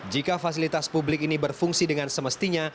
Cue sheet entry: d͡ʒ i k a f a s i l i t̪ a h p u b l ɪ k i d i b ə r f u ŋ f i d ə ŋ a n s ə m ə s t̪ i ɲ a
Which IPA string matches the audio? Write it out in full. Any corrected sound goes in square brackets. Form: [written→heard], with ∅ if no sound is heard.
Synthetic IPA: d͡ʒ i k a f a s i l i t̪ a [h→s] p u b l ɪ k i [d→n] i b ə r f u ŋ [f→s] i d ə ŋ a n s ə m ə s t̪ i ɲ a